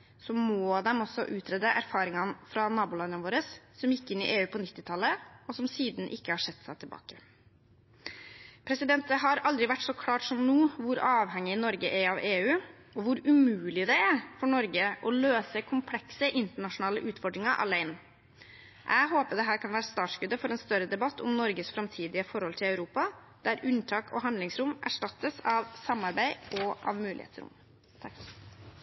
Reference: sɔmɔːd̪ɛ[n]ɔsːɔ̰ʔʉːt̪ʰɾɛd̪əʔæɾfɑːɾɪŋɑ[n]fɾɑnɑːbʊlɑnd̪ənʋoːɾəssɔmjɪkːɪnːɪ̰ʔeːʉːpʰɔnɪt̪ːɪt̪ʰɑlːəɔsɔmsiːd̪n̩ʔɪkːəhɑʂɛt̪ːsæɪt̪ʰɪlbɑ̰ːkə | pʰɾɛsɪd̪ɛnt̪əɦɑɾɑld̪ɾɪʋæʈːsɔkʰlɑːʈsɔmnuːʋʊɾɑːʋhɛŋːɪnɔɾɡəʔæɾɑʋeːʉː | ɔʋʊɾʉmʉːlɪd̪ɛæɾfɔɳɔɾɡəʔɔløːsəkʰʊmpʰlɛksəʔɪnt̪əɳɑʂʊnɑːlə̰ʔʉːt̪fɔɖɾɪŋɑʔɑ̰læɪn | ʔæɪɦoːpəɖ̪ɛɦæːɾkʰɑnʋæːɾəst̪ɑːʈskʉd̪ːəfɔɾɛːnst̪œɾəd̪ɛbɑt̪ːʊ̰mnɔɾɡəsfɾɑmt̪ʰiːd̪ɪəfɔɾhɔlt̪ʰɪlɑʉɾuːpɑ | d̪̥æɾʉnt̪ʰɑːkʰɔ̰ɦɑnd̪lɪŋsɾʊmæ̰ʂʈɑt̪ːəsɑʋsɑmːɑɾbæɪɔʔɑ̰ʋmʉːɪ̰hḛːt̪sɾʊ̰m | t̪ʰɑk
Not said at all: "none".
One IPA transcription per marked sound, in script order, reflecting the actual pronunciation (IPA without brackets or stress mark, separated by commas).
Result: m, n